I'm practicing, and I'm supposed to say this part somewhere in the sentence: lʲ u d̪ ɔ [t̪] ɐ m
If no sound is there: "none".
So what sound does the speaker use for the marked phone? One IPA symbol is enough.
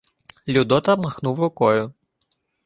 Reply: t̪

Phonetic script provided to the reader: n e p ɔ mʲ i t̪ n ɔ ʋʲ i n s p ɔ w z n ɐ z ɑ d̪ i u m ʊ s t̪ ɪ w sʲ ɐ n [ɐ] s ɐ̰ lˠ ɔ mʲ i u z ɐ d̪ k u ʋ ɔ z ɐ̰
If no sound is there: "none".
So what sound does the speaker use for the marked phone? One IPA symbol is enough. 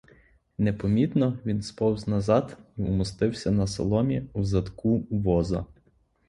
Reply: ɐ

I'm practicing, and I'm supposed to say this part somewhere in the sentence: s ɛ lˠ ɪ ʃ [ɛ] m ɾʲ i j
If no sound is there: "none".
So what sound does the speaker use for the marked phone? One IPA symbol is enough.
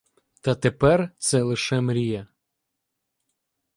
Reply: ɛ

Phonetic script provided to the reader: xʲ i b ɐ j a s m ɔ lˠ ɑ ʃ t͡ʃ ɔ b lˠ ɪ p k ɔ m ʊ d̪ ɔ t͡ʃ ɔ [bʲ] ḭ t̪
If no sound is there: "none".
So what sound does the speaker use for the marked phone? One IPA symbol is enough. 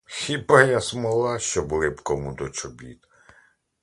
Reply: bʲ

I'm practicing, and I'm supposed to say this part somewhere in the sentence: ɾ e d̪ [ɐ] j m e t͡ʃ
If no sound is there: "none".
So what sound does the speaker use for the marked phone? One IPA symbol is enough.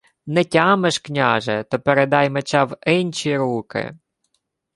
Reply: ɑ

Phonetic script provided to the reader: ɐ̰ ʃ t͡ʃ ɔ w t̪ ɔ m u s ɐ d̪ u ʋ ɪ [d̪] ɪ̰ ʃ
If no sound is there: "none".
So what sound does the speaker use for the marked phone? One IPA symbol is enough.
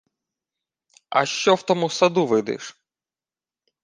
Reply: d̪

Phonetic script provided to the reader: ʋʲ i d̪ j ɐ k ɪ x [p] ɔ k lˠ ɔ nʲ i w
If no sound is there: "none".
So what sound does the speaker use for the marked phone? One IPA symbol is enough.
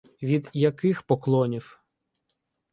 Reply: p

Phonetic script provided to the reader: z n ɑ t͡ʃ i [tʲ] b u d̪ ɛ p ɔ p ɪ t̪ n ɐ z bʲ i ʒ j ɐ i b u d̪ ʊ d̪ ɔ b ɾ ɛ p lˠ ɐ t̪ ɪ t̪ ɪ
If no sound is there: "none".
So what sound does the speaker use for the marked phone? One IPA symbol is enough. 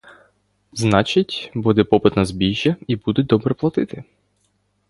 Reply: tʲ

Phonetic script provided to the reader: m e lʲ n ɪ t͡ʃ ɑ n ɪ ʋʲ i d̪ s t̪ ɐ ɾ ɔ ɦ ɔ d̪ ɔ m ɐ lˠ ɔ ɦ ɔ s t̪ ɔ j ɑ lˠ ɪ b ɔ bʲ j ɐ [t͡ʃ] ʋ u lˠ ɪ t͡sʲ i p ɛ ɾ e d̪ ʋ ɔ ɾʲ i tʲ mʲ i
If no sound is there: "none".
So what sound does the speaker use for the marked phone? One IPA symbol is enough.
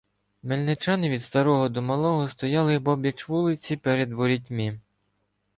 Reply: t͡ʃ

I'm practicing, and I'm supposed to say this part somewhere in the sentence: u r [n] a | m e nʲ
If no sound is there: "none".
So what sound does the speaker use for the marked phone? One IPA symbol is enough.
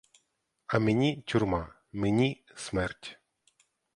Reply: m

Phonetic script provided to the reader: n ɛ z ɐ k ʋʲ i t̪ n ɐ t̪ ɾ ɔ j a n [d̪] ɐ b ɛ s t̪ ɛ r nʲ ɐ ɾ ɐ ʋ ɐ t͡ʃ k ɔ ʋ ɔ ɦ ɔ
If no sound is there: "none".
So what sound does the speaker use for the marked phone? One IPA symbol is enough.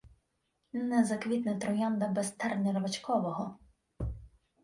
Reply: d̪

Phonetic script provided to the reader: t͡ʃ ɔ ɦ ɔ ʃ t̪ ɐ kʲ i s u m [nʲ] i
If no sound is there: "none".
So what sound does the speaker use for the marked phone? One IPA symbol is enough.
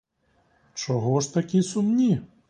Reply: nʲ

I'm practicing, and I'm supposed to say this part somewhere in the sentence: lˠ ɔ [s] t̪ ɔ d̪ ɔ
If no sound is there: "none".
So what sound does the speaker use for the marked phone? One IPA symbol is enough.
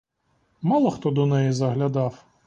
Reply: x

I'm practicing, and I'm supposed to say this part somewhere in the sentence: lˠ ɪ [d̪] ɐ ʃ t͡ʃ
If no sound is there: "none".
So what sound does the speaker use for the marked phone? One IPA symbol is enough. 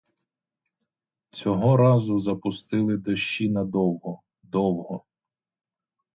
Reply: d̪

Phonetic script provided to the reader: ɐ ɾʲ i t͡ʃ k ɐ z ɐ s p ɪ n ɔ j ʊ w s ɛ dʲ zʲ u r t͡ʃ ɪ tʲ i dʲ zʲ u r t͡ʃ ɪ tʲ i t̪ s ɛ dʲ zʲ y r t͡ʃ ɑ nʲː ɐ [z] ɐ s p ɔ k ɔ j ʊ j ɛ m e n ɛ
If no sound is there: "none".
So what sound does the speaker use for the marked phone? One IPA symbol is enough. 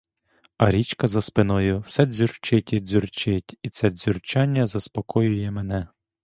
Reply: z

